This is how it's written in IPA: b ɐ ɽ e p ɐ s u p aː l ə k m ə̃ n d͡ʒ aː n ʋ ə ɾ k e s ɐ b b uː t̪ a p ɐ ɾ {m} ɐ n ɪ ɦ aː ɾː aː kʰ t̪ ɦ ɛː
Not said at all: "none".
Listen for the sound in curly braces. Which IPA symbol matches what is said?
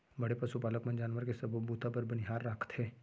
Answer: b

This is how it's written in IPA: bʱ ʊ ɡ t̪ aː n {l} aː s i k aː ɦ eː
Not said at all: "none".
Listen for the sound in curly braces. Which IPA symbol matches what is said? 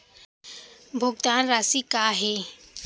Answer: ɾ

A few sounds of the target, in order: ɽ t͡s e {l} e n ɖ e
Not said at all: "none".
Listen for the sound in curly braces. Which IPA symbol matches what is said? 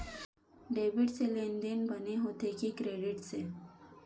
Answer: l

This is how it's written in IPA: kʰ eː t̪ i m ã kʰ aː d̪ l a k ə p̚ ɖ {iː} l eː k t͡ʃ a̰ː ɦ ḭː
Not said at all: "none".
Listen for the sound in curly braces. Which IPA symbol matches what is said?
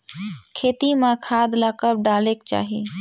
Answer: aː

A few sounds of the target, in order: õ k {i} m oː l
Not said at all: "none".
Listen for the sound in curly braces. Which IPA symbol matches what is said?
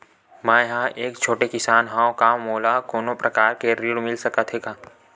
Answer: a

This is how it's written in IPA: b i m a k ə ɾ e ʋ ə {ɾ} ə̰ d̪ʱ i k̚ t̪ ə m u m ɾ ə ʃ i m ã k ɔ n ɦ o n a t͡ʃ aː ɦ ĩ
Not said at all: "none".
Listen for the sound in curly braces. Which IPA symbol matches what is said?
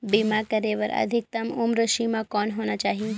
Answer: ɾ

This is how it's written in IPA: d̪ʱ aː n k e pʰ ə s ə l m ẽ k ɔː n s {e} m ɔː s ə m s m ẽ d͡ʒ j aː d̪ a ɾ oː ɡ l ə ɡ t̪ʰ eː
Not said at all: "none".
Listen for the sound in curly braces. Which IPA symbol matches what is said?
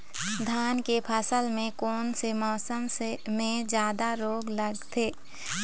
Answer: e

